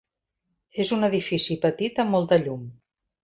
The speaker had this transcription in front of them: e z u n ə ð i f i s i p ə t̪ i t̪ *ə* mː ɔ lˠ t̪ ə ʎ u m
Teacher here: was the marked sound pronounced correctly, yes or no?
yes